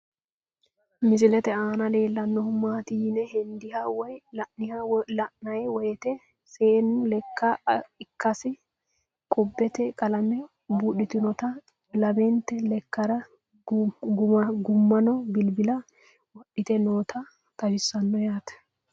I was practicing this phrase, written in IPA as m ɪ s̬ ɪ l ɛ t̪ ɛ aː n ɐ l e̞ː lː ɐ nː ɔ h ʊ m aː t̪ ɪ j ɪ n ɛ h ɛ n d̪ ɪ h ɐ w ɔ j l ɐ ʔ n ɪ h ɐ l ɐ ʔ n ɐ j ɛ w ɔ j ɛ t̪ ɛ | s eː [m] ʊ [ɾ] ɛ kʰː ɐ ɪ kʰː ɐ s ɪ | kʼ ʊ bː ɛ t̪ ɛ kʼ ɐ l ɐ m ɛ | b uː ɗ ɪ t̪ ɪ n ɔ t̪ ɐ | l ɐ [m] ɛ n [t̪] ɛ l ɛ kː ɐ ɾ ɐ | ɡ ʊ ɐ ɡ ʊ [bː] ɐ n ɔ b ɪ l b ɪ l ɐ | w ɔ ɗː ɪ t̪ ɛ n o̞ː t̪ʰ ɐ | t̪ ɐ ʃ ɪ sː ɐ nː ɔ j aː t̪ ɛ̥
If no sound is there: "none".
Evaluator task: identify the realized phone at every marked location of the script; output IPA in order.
n, l, b, t̪, mː

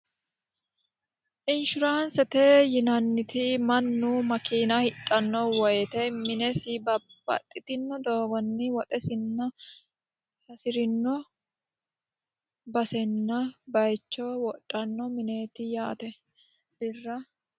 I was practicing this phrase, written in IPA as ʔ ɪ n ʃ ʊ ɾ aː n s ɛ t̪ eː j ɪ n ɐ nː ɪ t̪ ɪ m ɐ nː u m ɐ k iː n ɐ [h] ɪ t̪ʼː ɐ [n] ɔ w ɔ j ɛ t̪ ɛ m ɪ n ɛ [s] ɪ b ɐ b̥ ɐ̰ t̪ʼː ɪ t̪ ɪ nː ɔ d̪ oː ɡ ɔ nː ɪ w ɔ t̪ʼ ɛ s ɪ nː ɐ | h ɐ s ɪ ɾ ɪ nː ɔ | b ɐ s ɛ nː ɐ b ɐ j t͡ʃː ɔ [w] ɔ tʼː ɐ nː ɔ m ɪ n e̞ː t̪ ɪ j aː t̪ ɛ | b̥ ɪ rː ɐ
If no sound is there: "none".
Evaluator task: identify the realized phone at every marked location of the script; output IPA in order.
h, nː, s, w

